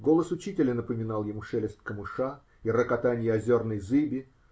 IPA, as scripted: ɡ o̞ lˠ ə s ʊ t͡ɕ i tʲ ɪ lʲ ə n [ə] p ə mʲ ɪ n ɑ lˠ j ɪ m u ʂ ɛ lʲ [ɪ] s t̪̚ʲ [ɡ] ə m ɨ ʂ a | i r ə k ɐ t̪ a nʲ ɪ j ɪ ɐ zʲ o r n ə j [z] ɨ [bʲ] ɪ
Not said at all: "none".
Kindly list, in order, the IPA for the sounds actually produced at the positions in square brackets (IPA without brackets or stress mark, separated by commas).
ə, ɪ, k, z, bʲ